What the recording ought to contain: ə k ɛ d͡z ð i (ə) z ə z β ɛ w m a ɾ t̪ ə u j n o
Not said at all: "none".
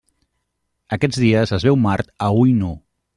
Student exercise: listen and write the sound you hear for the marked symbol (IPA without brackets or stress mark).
ə